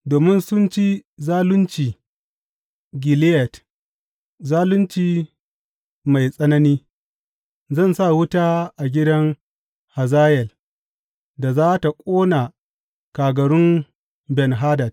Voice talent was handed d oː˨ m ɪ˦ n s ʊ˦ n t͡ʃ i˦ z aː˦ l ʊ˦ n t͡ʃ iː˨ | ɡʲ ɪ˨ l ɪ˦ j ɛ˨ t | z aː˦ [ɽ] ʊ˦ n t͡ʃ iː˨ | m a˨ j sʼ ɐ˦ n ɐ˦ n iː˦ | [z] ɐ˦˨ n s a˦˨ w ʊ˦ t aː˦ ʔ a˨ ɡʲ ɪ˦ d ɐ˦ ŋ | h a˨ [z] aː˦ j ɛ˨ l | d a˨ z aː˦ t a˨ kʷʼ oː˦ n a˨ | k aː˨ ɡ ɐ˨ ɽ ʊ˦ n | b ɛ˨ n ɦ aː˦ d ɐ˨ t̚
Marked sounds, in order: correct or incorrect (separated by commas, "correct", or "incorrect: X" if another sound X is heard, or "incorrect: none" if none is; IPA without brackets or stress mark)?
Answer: incorrect: l, correct, correct